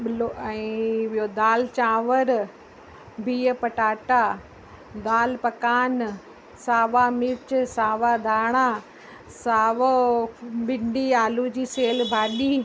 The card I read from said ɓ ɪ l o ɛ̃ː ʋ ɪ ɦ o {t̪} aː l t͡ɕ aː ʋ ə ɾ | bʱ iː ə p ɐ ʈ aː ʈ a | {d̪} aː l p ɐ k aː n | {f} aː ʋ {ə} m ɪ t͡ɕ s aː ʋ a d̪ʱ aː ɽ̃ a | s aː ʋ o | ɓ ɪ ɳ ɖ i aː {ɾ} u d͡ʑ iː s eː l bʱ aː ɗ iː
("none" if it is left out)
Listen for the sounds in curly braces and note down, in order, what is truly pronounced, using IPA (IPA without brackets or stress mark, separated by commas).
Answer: d̪, d̪, s, a, l